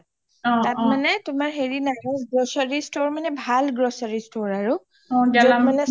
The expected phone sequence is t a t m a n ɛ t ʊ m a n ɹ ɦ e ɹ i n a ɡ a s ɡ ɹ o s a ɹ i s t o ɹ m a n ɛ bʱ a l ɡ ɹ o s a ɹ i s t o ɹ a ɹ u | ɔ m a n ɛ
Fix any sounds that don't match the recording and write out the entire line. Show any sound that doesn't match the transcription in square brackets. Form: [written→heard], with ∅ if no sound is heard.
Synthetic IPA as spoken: t a t m a n ɛ t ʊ m a [n→∅] ɹ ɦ e ɹ i n a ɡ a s ɡ ɹ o s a ɹ i s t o ɹ m a n ɛ bʱ a l ɡ ɹ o s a ɹ i s t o ɹ a ɹ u | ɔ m a n ɛ